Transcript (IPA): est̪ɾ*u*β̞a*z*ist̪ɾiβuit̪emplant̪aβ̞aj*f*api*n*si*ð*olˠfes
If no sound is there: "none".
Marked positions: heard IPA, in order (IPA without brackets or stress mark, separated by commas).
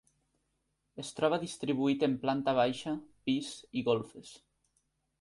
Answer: ɔ, ð, ʃ, none, ɣ